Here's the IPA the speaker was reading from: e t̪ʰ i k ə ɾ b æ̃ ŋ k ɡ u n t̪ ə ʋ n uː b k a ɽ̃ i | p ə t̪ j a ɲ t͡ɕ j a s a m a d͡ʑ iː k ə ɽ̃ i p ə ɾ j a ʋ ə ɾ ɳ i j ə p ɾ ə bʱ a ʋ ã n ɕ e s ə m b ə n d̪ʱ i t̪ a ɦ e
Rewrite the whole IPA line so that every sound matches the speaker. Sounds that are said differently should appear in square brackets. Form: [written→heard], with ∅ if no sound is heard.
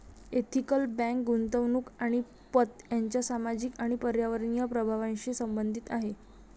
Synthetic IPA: e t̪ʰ i k ə [ɾ→l] b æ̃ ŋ k ɡ u n t̪ ə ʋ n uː [b→∅] k a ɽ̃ i | p ə t̪ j a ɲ t͡ɕ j a s a m a d͡ʑ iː k [ə→a] ɽ̃ i p ə ɾ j a ʋ ə ɾ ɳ i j ə p ɾ ə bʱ a ʋ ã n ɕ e s ə m b ə n d̪ʱ i t̪ a ɦ e